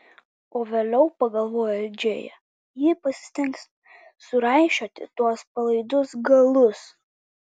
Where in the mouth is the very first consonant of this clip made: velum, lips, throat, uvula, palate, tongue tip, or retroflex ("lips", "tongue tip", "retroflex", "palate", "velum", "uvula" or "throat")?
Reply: lips